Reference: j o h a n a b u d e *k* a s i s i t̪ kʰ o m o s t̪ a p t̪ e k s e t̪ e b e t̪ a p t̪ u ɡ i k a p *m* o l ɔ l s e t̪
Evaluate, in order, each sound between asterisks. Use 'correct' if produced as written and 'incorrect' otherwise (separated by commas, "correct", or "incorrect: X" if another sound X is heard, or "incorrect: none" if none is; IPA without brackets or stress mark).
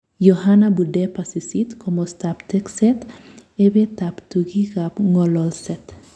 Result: incorrect: p, incorrect: ŋ